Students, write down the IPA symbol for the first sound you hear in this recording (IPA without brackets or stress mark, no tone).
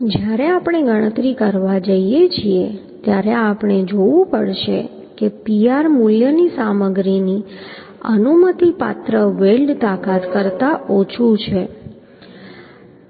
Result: d͡ʒ